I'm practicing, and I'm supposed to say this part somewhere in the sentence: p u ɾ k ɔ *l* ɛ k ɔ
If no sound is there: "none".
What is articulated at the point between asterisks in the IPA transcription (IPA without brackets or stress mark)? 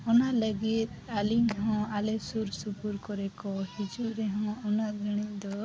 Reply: ɾ